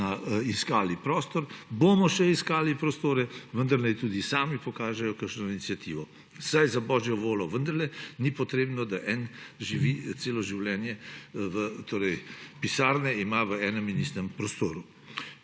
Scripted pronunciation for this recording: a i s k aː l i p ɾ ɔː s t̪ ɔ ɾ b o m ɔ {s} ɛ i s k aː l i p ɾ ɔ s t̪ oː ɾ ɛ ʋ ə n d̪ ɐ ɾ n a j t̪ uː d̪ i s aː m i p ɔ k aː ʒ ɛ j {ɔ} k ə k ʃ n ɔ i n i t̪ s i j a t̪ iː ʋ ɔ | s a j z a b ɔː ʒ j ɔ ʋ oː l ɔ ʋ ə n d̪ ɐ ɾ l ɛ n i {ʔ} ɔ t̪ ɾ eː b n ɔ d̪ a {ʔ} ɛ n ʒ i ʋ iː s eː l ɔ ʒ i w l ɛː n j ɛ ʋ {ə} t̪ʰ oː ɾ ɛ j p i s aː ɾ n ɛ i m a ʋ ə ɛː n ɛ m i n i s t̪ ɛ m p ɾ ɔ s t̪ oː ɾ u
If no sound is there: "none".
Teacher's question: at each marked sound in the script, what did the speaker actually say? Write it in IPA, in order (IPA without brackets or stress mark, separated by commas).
ʃ, ɔ, p, ʔ, ə